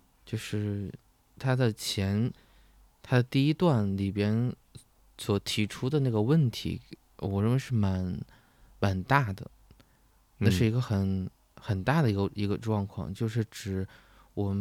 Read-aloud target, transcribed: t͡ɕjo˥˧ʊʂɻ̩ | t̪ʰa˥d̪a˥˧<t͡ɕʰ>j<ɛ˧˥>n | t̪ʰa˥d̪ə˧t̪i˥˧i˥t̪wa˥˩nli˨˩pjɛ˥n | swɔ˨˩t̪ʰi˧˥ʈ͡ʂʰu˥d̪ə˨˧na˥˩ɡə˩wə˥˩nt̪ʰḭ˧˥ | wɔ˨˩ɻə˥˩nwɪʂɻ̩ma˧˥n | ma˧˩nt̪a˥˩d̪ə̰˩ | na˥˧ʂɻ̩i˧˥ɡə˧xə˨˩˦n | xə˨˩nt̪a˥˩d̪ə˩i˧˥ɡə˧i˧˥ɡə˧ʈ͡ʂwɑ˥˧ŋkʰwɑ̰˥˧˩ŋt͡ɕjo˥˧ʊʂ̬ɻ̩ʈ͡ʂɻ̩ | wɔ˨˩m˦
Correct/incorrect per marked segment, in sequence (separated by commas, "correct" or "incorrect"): correct, correct